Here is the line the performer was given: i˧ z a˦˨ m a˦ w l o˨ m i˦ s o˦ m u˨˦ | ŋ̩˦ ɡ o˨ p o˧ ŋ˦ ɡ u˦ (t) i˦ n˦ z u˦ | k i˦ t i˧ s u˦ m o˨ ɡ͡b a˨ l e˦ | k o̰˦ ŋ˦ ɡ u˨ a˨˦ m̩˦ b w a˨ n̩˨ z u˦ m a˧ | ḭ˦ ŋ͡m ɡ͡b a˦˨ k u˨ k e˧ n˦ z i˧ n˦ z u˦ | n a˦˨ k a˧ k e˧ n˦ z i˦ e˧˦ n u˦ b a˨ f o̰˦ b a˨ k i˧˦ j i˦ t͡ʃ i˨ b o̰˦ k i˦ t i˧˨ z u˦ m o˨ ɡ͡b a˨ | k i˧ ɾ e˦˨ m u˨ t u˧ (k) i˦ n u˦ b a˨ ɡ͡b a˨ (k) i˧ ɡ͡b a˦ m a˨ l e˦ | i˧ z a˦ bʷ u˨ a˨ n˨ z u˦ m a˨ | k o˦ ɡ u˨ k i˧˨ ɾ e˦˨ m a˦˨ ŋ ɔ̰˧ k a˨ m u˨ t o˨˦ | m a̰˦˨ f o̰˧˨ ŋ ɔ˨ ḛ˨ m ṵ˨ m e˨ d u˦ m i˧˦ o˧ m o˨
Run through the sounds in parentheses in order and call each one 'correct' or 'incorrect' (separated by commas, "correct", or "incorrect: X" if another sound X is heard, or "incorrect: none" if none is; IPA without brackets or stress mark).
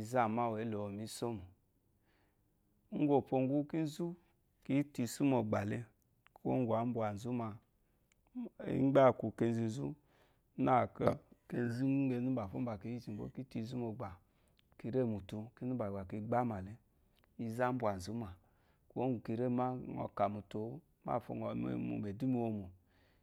incorrect: k, correct, correct